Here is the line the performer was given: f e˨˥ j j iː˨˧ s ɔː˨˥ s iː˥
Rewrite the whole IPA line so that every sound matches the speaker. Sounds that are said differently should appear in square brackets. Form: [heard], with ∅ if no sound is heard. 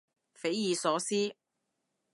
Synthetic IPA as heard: f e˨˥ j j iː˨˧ s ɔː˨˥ s iː˥